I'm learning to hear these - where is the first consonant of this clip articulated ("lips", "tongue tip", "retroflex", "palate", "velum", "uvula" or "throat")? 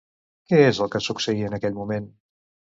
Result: velum